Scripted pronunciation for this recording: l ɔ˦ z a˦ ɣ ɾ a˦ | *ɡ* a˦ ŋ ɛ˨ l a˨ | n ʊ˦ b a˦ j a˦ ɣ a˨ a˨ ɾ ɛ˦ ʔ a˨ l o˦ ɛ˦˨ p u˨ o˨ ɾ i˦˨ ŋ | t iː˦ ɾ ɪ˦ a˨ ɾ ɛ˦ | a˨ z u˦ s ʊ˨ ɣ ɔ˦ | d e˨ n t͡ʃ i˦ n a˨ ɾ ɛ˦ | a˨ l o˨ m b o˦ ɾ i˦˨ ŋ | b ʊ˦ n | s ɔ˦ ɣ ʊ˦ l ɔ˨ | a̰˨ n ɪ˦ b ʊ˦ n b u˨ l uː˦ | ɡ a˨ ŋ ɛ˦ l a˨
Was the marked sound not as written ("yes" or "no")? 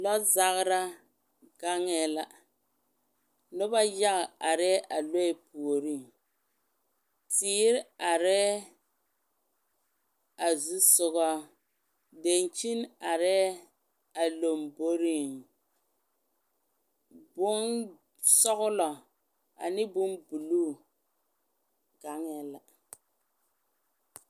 no